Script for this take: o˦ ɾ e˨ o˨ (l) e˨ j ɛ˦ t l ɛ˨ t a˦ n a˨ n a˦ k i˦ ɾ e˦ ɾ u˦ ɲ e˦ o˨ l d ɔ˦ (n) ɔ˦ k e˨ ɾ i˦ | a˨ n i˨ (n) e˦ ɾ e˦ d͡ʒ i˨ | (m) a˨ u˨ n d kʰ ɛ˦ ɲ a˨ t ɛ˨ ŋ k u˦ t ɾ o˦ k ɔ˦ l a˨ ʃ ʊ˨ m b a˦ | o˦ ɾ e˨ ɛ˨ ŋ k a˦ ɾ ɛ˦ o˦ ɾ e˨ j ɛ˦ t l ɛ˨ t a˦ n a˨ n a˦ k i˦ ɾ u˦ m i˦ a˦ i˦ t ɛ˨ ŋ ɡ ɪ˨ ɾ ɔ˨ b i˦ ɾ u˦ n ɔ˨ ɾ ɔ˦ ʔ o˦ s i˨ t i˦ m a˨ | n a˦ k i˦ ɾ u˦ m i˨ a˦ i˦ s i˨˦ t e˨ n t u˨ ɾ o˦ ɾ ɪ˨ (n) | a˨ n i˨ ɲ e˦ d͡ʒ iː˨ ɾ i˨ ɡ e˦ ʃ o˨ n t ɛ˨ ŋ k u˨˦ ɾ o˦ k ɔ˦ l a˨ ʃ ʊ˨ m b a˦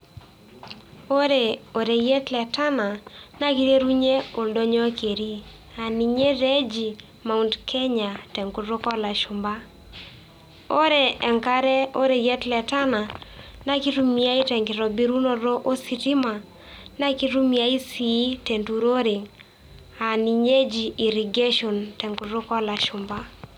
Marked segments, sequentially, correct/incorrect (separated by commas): incorrect, incorrect, incorrect, correct, incorrect